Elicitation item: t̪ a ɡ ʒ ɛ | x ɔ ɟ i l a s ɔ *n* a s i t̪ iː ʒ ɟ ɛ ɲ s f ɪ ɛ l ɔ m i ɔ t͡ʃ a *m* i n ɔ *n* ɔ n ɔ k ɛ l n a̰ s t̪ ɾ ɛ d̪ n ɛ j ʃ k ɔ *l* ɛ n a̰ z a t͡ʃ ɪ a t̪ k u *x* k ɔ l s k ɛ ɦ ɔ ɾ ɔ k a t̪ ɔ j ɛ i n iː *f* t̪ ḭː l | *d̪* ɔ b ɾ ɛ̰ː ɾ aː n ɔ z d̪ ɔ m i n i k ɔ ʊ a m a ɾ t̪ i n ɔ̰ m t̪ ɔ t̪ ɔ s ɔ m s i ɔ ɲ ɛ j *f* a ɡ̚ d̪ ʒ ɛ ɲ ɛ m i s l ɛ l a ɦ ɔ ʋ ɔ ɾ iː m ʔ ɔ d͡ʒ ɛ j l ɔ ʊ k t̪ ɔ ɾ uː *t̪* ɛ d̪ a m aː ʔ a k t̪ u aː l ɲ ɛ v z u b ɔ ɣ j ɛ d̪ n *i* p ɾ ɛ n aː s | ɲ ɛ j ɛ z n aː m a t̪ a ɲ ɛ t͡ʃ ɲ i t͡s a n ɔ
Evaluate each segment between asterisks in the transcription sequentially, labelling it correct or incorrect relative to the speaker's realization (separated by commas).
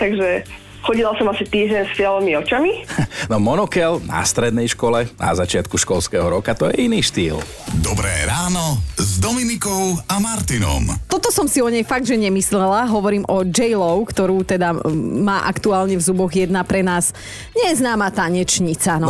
incorrect, correct, incorrect, correct, incorrect, incorrect, correct, correct, correct, incorrect